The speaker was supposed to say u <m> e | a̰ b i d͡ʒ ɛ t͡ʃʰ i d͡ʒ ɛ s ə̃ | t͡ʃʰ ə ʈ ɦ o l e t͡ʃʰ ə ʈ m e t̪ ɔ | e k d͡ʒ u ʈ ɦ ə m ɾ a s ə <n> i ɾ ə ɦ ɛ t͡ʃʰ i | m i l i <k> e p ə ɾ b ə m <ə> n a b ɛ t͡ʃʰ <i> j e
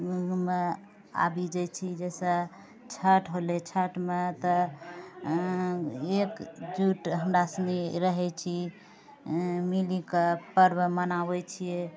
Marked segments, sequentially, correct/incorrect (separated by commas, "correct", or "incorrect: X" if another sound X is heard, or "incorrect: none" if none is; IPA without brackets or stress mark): correct, correct, correct, correct, correct